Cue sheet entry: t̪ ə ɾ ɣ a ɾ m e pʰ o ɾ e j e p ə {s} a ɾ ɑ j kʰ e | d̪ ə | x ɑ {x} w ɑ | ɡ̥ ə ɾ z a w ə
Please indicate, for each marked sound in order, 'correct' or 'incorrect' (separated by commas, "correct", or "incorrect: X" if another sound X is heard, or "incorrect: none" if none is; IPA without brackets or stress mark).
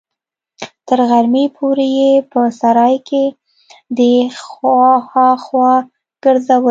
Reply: correct, correct